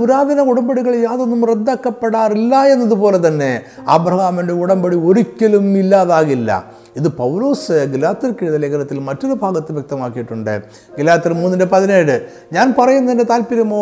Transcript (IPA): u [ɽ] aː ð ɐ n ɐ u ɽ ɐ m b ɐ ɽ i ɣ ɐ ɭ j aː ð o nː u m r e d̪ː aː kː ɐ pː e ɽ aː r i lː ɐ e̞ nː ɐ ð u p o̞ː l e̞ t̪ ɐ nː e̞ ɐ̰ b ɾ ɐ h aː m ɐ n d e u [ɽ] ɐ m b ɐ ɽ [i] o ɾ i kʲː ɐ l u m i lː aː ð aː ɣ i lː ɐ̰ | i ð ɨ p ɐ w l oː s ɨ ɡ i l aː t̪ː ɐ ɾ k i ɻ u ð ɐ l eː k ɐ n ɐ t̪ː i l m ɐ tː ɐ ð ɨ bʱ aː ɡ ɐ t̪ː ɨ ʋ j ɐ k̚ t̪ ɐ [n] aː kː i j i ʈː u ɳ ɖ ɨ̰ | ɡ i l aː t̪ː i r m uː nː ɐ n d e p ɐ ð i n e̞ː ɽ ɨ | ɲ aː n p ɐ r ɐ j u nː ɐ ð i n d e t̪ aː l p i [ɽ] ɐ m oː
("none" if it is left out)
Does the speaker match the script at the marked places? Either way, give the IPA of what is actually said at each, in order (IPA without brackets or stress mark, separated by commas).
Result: ɾ, ɽ, i, m, ɾ